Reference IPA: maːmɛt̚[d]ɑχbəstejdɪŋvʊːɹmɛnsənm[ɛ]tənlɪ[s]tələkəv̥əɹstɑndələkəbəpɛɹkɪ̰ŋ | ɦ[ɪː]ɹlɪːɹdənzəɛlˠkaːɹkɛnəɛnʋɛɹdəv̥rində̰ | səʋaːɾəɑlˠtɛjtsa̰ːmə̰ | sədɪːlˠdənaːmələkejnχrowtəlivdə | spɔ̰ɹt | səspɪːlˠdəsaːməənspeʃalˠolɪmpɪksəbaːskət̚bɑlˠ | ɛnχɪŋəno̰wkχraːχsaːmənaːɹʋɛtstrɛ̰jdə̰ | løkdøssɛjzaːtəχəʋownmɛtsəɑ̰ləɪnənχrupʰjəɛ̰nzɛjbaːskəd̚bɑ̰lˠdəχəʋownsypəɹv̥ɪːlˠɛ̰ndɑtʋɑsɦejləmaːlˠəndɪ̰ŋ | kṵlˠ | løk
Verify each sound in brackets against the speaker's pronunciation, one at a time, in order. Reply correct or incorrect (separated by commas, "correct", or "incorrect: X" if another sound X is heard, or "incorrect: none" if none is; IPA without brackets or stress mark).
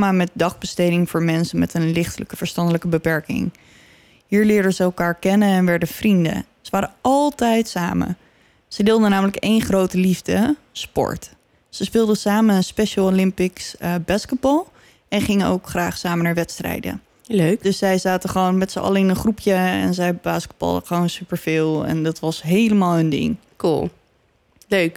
correct, correct, incorrect: χ, incorrect: iː